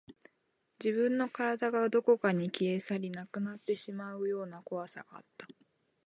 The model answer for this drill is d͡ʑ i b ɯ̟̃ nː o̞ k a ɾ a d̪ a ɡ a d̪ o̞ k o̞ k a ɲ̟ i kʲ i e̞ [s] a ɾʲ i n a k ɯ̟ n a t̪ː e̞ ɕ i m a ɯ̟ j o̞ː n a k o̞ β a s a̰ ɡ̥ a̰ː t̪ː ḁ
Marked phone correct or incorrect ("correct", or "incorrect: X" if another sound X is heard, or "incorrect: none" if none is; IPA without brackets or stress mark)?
correct